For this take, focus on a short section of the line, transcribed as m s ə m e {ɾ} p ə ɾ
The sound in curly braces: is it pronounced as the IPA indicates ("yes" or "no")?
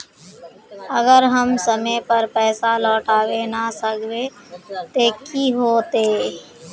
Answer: no